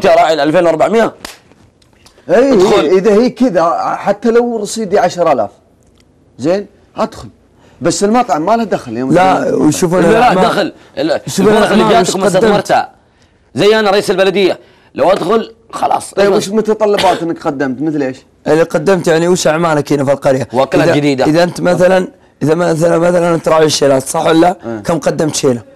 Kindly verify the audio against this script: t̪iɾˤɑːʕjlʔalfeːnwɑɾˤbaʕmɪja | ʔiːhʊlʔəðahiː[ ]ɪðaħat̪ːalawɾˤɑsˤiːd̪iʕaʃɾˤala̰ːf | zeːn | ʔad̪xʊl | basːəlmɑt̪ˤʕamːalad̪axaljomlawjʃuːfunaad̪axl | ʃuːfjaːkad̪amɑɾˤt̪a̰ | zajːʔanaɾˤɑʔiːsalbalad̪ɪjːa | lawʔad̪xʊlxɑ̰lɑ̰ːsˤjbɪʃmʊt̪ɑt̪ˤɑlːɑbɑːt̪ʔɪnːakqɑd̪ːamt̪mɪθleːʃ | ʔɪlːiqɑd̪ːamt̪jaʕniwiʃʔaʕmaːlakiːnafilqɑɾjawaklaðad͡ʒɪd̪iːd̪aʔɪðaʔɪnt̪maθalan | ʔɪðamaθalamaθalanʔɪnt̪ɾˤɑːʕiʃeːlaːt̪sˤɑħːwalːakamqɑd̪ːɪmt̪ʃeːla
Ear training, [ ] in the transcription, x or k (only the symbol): k